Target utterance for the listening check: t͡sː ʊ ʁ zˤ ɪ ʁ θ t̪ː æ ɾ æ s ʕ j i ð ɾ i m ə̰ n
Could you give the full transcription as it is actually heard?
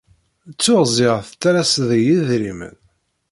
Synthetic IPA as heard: t͡sː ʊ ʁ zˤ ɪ ʁ θ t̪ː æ ɾ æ s ð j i ð ɾ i m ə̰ n